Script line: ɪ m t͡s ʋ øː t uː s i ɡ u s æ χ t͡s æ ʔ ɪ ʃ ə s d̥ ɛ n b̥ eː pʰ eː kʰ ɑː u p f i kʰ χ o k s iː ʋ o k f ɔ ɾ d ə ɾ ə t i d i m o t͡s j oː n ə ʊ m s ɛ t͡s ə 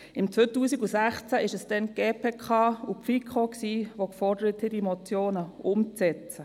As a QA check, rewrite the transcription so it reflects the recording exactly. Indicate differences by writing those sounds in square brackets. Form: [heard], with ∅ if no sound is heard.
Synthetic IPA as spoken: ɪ m t͡s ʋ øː t uː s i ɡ u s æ χ t͡s æ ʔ ɪ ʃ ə s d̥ ɛ n [ɡ̥] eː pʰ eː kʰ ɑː u p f i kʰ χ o k s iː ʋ o k f ɔ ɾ d ə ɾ ə t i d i m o t͡s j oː n ə ʊ m [t͡s] ɛ t͡s ə